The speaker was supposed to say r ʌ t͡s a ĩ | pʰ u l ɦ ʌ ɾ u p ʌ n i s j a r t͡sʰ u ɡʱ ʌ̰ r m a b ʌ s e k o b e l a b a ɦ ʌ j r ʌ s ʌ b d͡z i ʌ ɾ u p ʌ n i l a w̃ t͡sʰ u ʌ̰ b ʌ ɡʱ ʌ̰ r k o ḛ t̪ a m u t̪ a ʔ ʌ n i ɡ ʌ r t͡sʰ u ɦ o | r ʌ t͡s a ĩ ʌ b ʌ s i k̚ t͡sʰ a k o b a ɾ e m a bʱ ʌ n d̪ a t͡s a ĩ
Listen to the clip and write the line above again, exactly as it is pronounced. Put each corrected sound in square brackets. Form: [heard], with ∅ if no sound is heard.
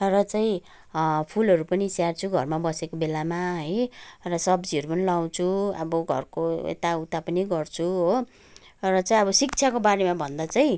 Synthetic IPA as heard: r ʌ t͡s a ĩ | pʰ u l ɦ ʌ ɾ u p ʌ n i s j a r t͡sʰ u ɡʱ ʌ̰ r m a b ʌ s e k o b e l a [m] a ɦ ʌ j r ʌ s ʌ b d͡z i ʌ ɾ u p ʌ n i l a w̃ t͡sʰ u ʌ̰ b ʌ ɡʱ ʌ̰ r k o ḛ t̪ a [∅] u t̪ a [p] ʌ n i ɡ ʌ r t͡sʰ u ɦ o | r ʌ t͡s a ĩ ʌ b ʌ s i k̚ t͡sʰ a k o b a ɾ e m a bʱ ʌ n d̪ a t͡s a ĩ